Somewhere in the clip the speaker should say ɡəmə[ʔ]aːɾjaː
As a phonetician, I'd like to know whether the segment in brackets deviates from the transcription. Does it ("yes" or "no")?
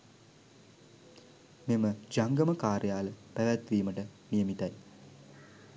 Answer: yes